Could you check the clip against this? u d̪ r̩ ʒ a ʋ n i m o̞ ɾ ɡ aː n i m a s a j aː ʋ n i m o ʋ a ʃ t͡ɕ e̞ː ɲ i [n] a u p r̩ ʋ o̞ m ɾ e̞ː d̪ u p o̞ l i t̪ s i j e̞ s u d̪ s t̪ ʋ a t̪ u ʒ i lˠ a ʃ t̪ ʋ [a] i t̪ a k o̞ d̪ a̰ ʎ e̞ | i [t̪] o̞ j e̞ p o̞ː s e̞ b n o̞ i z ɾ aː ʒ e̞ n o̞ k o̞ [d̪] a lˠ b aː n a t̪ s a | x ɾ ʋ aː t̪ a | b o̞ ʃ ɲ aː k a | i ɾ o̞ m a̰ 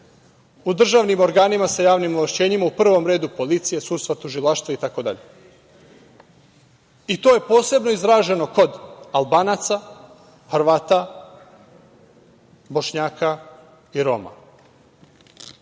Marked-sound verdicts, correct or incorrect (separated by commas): incorrect, correct, correct, correct